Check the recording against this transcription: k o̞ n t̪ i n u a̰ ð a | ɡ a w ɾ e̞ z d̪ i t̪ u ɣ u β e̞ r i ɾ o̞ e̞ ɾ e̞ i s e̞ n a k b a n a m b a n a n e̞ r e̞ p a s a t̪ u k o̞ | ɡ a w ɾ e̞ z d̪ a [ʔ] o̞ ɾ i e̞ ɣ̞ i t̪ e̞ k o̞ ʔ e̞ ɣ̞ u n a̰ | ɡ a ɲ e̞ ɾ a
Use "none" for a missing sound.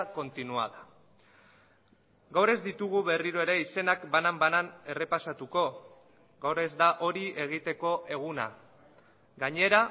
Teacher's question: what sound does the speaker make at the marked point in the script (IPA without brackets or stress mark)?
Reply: ʔ